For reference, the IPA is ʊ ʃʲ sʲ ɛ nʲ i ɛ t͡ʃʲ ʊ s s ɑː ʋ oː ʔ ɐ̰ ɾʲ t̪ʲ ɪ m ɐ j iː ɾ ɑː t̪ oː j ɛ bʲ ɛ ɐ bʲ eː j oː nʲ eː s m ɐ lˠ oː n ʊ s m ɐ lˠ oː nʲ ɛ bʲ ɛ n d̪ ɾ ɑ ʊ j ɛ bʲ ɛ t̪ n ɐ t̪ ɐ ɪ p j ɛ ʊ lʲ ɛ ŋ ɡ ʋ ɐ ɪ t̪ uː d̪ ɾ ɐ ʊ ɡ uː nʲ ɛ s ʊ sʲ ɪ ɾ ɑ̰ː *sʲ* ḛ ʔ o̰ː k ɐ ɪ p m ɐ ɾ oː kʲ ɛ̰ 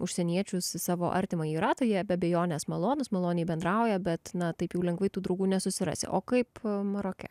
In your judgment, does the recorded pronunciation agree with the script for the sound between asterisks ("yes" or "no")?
yes